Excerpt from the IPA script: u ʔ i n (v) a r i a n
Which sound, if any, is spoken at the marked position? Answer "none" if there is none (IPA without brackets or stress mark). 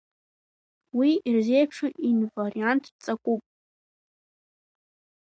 v